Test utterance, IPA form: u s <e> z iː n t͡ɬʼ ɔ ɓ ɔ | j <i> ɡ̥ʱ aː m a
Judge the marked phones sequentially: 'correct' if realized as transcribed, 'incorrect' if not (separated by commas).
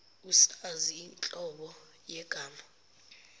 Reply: incorrect, incorrect